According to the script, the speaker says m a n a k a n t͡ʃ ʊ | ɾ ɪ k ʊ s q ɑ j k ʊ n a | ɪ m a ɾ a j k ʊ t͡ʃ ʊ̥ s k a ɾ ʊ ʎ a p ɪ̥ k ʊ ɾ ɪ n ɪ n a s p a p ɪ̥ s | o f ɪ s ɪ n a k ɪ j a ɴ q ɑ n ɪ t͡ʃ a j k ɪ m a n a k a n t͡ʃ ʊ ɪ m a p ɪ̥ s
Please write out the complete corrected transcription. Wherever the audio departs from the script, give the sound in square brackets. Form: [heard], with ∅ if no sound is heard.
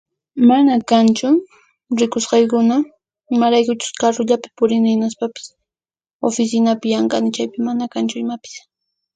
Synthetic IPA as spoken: m a n a k a n t͡ʃ ʊ | ɾ ɪ k ʊ s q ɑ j k ʊ n a | ɪ m a ɾ a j k ʊ t͡ʃ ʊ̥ s k a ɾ ʊ ʎ a p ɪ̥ [p] ʊ ɾ ɪ n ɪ n a s p a p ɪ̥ s | o f ɪ s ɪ n a [p] ɪ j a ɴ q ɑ n ɪ t͡ʃ a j [p] ɪ m a n a k a n t͡ʃ ʊ ɪ m a p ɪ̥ s